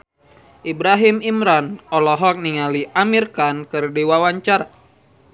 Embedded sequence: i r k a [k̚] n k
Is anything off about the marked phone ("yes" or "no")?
yes